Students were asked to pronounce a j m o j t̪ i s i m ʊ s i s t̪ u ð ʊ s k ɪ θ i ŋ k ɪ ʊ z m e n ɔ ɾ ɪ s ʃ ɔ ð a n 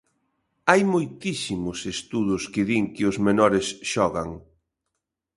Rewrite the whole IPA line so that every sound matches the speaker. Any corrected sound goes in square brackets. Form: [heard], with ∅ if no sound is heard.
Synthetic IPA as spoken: a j m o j t̪ i s i m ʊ s [e] s t̪ u ð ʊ s k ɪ [ð] i ŋ k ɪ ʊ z m e n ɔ ɾ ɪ s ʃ ɔ [ɣ] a [ŋ]